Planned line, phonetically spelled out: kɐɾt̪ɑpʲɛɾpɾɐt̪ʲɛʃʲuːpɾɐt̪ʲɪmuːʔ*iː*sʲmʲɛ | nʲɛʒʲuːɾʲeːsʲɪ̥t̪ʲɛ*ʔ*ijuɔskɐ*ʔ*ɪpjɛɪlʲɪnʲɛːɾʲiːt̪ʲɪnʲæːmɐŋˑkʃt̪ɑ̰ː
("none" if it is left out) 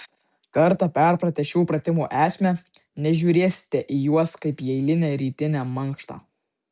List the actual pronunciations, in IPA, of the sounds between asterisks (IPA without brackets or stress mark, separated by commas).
æː, ʔ, none